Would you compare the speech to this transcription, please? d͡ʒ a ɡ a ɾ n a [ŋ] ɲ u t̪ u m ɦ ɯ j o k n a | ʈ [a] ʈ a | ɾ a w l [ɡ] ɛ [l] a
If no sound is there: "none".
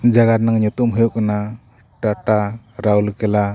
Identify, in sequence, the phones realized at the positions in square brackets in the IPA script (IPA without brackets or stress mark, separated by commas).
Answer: ŋ, a, k, l